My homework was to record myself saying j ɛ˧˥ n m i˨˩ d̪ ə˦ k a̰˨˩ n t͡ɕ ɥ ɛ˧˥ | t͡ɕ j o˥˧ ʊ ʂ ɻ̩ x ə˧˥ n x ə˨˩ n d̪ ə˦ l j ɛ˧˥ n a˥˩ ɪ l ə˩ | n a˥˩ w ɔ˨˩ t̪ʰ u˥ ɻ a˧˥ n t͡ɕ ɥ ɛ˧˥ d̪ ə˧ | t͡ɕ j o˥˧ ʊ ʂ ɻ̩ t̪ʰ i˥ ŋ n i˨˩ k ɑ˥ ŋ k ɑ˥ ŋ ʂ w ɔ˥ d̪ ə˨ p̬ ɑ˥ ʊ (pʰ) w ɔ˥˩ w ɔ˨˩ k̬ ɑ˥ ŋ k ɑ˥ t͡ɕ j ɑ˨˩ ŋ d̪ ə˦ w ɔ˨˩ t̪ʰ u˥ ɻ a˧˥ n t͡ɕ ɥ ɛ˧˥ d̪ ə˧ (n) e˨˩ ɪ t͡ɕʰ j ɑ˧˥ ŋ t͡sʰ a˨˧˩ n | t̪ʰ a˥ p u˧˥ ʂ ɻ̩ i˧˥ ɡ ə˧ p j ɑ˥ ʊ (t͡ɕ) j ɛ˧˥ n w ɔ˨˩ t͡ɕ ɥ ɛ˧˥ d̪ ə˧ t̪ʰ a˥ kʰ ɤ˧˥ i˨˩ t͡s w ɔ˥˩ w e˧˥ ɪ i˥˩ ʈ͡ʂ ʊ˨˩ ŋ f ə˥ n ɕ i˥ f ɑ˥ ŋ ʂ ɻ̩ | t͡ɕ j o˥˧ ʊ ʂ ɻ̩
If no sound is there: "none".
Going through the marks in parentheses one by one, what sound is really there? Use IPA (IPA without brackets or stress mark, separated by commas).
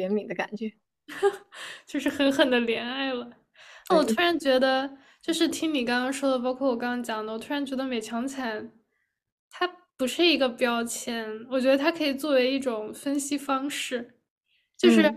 kʰ, m, t͡ɕʰ